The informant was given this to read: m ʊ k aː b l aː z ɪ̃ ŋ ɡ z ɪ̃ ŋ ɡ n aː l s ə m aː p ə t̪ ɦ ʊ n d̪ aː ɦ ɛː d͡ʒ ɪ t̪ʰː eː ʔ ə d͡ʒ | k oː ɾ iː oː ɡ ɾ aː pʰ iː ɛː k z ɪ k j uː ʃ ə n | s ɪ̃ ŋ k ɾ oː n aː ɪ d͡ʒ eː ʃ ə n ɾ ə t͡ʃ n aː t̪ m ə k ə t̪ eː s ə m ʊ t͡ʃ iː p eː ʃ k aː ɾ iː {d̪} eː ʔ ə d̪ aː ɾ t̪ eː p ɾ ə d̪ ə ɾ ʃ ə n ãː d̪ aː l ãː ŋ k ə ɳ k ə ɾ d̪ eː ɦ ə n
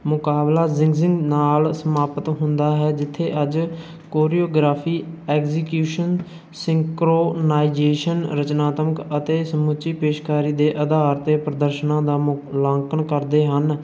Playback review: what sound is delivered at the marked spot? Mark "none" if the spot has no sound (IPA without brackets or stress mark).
d̪